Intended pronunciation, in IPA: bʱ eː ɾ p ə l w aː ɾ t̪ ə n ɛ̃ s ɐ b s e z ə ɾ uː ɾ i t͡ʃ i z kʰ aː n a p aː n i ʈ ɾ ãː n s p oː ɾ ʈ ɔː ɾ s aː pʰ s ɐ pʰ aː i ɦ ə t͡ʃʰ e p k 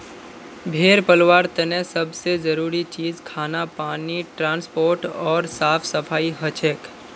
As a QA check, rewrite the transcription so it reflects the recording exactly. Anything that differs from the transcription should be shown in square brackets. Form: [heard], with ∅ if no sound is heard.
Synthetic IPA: bʱ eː ɾ p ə l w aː ɾ t̪ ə n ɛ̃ s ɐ b s e z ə ɾ uː ɾ i t͡ʃ [iː] z kʰ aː n a p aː n i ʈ ɾ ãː n s p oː ɾ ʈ ɔː ɾ s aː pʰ s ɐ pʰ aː i ɦ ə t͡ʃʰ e [∅] k

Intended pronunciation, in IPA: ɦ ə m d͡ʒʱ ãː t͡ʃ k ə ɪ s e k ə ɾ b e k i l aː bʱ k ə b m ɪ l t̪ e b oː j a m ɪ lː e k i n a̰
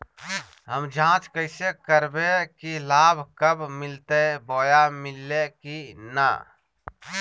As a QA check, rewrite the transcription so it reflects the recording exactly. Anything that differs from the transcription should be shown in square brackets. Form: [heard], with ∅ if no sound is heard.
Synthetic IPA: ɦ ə m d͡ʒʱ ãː t͡ʃ k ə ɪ s e k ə ɾ b e k i l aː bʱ k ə b m ɪ l t̪ e b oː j a m ɪ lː e k i n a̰

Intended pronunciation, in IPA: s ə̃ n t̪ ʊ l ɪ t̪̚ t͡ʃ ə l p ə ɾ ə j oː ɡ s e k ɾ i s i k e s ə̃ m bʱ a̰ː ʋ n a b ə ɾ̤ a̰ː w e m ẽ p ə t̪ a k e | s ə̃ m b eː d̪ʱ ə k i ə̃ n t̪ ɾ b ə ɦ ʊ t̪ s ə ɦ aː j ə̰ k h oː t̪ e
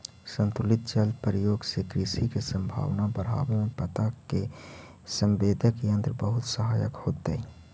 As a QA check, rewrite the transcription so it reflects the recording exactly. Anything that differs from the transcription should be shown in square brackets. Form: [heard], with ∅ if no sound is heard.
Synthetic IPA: s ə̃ n t̪ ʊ l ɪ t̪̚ t͡ʃ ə l p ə ɾ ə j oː ɡ s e k ɾ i s i k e s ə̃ m bʱ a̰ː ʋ n a b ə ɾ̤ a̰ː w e m ẽ p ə t̪ a k e | s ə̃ m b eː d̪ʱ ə k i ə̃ n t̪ ɾ b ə ɦ ʊ t̪ s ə ɦ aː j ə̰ k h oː t̪ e

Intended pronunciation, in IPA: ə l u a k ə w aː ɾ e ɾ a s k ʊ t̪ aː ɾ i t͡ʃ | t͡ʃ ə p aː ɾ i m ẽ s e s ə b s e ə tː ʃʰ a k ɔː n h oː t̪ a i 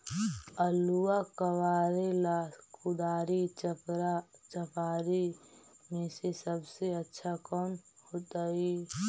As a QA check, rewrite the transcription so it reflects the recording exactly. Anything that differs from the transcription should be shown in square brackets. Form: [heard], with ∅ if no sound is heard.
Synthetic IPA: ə l u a k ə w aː ɾ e [l] a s k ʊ [d̪] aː ɾ i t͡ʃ | t͡ʃ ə p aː ɾ i m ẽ s e s ə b s e ə tː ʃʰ a k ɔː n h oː t̪ a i

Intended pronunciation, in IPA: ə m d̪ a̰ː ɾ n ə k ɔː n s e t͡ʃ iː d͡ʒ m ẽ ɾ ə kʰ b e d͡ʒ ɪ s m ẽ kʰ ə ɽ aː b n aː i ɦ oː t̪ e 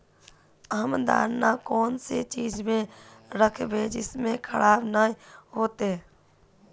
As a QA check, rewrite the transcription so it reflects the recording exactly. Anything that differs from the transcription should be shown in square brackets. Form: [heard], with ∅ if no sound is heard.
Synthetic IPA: ə m d̪ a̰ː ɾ n [a] k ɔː n s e t͡ʃ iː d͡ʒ m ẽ ɾ ə kʰ b e d͡ʒ ɪ s m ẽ kʰ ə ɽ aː b n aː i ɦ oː t̪ e

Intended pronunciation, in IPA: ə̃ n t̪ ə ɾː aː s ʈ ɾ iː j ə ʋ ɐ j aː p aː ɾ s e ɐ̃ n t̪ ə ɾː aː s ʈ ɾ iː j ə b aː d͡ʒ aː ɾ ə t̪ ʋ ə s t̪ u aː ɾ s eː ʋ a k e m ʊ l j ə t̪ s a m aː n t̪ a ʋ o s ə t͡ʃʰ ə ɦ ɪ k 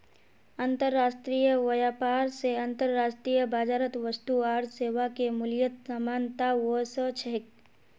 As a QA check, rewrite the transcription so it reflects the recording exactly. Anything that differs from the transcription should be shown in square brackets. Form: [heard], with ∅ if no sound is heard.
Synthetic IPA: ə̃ n t̪ ə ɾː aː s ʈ ɾ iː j ə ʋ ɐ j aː p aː ɾ s e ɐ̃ n t̪ ə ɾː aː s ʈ ɾ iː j ə b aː d͡ʒ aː ɾ ə t̪ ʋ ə s t̪ u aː ɾ s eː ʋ a k e m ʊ l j ə t̪ s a m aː n t̪ a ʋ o s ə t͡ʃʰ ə ɦ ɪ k

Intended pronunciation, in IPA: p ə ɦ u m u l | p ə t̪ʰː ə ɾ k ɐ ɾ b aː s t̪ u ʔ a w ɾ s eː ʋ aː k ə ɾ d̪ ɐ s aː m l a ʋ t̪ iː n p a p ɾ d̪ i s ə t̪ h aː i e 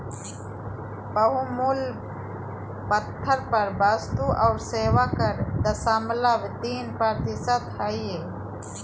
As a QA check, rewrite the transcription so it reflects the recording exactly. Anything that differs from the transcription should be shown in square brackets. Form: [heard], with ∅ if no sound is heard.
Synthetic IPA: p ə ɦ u m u l | p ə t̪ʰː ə ɾ [p] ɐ ɾ b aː s t̪ u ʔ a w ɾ s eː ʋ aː k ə ɾ d̪ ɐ s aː m l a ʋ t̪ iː n p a [∅] ɾ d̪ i s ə t̪ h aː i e

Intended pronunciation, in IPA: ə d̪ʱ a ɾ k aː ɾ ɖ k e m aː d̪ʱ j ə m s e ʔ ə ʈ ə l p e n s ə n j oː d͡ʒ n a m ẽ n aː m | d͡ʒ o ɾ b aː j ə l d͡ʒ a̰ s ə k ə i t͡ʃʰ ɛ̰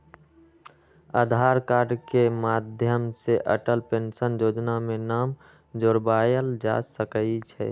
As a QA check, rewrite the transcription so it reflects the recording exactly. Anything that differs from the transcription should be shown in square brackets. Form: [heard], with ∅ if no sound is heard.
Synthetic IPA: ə d̪ʱ a ɾ k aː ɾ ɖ k e m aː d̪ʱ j ə m s e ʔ ə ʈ ə l p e n s ə n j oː d͡ʒ n a m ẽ n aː m | d͡ʒ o ɾ b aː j ə l d͡ʒ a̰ s ə k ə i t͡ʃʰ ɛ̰

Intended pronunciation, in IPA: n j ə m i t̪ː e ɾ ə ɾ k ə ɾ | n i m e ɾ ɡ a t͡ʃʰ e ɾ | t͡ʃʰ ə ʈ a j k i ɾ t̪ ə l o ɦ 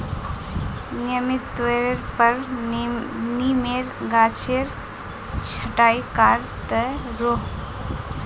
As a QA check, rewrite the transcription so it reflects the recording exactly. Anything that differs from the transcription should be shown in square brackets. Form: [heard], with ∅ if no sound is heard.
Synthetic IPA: n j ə m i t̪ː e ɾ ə ɾ [p] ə ɾ | n i m e ɾ ɡ a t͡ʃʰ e ɾ | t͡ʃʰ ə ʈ a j k [a] ɾ t̪ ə [ɾ] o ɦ

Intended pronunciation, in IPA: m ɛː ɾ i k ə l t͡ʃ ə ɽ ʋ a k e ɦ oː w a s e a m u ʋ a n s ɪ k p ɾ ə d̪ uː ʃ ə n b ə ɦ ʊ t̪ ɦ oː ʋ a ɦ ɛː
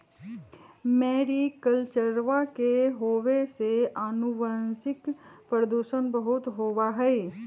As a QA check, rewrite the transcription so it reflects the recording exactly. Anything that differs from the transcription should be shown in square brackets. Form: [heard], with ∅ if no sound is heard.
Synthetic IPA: m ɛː ɾ i k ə l t͡ʃ ə [ɾ] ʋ a k e ɦ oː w [e] s e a [n] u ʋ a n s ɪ k p ɾ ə d̪ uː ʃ ə n b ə ɦ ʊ t̪ ɦ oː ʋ a ɦ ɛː

